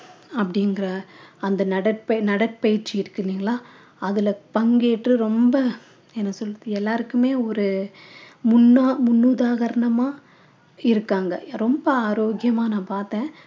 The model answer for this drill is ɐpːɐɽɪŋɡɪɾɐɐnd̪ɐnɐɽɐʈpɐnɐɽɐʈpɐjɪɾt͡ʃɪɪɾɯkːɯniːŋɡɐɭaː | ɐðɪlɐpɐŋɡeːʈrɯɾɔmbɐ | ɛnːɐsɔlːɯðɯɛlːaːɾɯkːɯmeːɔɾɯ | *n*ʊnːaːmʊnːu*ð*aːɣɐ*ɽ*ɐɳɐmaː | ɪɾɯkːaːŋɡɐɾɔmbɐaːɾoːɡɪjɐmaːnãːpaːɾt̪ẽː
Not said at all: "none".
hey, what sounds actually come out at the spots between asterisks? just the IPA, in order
m, ð, ɾ

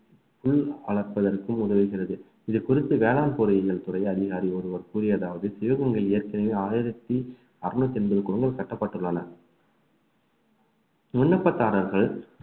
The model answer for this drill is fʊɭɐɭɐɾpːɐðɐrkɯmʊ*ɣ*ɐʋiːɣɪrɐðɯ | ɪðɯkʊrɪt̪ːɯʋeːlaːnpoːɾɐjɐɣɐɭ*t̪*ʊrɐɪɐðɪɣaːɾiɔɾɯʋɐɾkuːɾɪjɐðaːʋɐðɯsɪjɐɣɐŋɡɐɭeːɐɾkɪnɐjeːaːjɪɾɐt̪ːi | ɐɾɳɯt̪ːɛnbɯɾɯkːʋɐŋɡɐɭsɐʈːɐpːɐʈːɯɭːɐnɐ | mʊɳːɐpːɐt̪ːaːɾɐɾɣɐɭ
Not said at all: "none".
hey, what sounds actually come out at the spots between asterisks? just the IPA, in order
ð, t̪

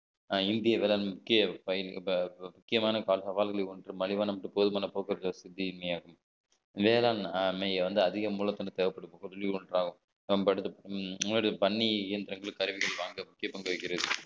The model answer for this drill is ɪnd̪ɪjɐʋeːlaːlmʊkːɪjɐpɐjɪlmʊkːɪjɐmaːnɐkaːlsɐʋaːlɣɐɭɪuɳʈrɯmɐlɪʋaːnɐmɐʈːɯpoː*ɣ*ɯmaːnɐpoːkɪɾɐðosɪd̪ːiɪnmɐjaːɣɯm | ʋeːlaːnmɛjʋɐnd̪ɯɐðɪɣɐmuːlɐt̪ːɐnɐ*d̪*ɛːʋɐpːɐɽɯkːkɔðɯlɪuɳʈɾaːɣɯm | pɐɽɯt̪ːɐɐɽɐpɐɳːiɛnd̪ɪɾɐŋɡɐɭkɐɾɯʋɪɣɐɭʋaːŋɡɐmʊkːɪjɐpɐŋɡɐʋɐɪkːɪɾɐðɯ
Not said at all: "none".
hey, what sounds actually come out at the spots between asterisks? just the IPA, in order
ð, t̪

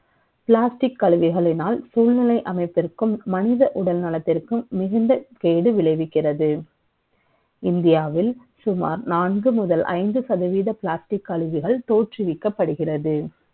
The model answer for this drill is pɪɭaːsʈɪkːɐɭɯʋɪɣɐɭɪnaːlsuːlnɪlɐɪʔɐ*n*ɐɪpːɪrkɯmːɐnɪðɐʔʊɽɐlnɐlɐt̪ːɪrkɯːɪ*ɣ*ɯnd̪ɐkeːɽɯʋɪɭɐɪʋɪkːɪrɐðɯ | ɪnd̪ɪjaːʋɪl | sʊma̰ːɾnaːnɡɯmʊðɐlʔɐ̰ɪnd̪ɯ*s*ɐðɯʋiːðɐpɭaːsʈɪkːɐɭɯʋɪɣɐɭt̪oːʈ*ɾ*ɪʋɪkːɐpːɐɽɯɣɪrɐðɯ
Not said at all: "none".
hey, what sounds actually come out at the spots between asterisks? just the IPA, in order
m, ɣ, s, r

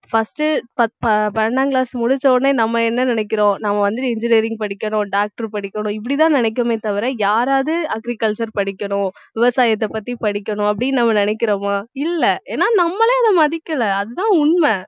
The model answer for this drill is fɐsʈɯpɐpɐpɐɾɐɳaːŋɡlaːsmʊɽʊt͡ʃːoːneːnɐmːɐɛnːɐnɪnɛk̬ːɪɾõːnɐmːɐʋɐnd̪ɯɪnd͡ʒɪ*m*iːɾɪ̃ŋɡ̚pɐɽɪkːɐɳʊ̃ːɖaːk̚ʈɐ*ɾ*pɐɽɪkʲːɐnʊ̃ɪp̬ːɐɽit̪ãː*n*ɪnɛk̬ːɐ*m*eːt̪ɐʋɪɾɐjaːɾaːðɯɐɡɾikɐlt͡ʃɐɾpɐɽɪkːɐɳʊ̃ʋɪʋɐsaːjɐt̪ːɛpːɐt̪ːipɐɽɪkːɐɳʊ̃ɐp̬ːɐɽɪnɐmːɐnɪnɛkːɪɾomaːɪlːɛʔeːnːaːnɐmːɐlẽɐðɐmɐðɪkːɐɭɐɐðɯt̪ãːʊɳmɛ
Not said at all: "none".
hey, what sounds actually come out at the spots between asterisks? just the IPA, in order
n, ɾ, n, m

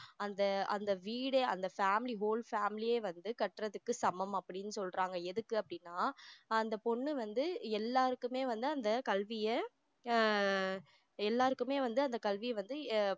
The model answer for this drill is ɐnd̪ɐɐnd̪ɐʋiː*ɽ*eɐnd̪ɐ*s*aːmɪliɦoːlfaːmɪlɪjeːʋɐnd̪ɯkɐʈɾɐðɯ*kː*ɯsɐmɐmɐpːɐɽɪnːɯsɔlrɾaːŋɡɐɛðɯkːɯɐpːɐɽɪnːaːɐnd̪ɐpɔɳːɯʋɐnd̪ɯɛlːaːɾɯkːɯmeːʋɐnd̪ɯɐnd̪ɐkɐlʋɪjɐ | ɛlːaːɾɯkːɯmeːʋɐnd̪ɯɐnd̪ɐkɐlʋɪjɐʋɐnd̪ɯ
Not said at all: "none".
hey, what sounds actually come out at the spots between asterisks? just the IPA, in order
ɽ, f, kː

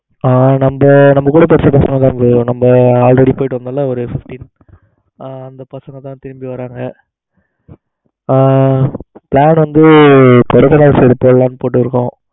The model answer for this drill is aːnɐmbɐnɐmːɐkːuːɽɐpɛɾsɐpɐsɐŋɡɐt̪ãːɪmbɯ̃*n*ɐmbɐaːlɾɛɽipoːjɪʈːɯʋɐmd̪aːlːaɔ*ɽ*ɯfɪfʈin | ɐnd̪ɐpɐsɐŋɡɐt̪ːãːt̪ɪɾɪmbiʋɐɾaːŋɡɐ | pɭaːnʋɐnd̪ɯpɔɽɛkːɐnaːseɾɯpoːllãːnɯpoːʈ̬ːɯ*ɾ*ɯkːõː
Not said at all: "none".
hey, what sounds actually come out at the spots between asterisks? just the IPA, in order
n, ɾ, ɾ

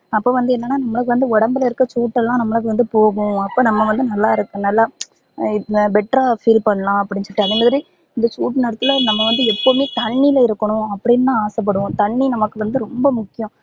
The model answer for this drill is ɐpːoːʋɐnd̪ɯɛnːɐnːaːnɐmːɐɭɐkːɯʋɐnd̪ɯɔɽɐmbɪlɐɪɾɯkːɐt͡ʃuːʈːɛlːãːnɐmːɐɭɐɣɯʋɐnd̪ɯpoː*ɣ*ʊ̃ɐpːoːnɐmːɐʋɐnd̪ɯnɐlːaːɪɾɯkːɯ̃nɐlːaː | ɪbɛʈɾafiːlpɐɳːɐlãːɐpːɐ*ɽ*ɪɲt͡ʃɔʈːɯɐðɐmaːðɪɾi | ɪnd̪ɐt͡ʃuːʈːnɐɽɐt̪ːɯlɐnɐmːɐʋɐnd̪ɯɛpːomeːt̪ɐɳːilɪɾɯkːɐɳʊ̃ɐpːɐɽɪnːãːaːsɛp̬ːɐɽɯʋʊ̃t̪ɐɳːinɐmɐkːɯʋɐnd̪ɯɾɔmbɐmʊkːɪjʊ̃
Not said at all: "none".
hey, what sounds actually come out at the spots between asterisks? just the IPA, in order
ɣ, ɽ

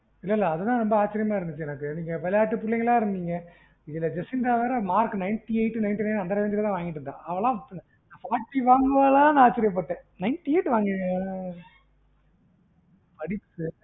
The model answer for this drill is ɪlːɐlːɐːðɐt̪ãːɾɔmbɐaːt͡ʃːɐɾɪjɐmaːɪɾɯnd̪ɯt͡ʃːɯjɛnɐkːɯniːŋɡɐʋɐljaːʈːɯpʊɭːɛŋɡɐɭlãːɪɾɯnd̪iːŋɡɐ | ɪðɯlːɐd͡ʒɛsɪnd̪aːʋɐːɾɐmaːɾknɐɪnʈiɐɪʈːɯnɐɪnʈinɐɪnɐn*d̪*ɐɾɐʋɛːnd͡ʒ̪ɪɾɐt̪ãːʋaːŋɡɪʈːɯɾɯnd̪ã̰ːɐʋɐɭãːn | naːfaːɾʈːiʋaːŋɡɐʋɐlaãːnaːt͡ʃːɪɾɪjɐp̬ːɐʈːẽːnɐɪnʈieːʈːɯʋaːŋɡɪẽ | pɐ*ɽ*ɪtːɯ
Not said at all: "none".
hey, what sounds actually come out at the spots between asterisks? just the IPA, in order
d̪, ɽ

